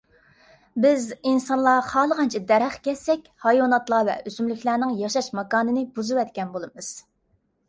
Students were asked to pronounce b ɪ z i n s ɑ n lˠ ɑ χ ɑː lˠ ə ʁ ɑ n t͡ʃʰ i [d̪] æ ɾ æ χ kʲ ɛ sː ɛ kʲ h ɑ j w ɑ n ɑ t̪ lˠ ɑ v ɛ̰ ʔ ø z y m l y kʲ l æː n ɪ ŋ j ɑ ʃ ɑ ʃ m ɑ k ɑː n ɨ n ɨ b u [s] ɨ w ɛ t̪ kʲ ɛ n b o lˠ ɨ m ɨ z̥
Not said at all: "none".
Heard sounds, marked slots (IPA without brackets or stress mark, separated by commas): d̪, z